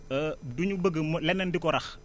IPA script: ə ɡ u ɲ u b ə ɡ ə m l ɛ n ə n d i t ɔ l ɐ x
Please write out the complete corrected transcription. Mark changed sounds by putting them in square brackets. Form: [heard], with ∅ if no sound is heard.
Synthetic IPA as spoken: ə [d] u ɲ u b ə ɡ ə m l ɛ n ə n d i [k] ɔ [ɾ] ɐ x